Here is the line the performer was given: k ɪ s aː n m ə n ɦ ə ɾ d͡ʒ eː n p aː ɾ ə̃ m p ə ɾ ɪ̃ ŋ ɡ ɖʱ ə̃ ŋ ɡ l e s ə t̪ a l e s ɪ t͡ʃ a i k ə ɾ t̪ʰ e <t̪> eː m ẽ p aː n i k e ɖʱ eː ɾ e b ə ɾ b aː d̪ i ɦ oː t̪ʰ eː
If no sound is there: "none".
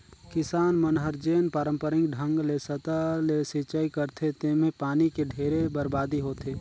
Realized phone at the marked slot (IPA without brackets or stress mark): t̪